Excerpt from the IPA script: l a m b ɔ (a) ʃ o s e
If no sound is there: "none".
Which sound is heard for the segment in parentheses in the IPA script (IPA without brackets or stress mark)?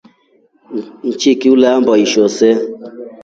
i